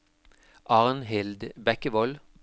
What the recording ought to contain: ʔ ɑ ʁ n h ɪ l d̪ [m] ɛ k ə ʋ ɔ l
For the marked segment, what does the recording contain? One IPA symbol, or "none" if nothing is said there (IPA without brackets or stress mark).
b